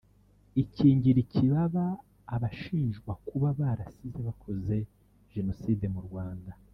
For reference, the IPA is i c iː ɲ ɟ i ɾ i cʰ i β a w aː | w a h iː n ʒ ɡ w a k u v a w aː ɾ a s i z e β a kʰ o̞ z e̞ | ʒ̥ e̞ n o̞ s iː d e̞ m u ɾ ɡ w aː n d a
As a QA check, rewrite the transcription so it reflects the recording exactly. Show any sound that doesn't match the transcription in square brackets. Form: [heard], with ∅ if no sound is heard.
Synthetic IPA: i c iː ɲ ɟ i ɾ i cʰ i β a [β] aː | [β] a [ʃ] iː n ʒ ɡ w a k u [β] a [β] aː ɾ a s i z e β a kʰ o̞ z e̞ | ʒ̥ e̞ n o̞ s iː d e̞ m u ɾ ɡ w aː n d a